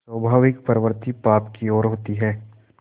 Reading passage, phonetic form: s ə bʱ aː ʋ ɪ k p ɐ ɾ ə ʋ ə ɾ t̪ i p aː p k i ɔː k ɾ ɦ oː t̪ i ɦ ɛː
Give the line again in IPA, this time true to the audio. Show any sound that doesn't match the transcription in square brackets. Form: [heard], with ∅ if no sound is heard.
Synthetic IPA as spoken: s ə bʱ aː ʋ ɪ k p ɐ ɾ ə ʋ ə ɾ t̪ i p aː p k i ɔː [∅] ɾ ɦ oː t̪ i ɦ ɛː